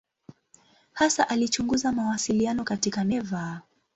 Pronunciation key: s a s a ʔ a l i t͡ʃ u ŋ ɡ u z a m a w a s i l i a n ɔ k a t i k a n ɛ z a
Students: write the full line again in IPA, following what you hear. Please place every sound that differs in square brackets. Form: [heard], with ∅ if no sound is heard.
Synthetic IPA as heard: [h] a s a ʔ a l i t͡ʃ u ŋ ɡ u z a m a w a s i l i a n ɔ k a t i k a n ɛ [v] a